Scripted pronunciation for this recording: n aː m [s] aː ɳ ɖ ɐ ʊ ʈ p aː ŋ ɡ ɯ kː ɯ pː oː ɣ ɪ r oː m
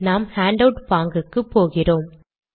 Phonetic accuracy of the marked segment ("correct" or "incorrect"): incorrect